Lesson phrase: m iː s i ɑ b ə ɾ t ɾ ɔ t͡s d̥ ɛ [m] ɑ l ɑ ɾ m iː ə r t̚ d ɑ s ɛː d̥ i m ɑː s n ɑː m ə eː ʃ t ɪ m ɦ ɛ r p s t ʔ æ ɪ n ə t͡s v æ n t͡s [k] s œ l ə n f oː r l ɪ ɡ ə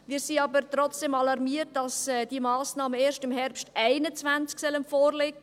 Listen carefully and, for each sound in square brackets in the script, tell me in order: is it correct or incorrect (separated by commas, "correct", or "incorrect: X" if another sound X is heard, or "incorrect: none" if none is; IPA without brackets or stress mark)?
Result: correct, correct